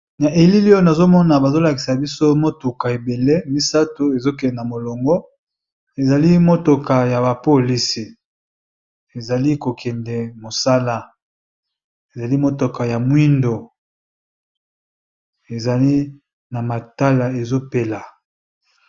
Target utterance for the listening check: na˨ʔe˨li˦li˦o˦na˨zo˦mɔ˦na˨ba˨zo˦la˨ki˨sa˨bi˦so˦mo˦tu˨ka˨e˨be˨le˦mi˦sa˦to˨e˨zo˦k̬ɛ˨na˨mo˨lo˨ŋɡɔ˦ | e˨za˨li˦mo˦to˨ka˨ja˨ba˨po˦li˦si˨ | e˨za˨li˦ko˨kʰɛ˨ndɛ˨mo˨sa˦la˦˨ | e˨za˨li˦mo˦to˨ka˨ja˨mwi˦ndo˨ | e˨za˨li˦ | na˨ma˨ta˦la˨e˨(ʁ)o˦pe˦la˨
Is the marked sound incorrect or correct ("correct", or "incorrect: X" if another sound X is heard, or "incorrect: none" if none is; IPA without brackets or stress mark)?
incorrect: z